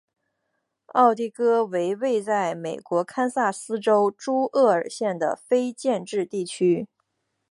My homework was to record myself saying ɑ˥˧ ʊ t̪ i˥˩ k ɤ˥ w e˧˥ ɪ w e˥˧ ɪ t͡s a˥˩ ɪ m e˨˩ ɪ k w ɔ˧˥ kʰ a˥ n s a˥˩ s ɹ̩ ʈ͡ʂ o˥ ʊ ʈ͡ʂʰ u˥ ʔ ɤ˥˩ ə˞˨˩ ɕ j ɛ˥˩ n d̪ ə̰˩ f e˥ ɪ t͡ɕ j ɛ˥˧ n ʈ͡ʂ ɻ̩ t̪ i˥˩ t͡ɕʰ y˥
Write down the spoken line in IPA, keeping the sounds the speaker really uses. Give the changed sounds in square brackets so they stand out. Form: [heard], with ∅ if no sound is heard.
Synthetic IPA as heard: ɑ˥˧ ʊ t̪ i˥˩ k ɤ˥ w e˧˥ ɪ w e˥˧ ɪ t͡s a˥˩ ɪ m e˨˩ ɪ k w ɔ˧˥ kʰ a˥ n s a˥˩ s ɹ̩ ʈ͡ʂ o˥ ʊ [ʈ͡ʂ] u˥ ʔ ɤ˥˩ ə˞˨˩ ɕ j ɛ˥˩ n d̪ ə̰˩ f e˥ ɪ t͡ɕ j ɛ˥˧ n ʈ͡ʂ ɻ̩ t̪ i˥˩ t͡ɕʰ y˥